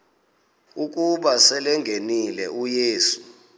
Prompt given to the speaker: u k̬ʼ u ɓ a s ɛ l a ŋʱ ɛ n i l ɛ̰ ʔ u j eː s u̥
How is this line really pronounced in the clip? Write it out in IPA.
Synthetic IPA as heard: u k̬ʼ u ɓ a s ɛ l ɛ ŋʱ e n i l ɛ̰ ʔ u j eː s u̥